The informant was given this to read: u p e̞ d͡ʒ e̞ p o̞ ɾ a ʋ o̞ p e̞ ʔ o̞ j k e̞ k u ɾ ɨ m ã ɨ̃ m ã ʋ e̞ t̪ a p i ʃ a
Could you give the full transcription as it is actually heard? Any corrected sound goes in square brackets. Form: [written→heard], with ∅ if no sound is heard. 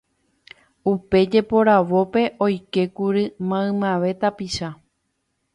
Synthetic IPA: u p e̞ d͡ʒ e̞ p o̞ ɾ a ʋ o̞ p e̞ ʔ o̞ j k e̞ k u ɾ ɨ m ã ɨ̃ m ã ʋ e̞ t̪ a p i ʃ a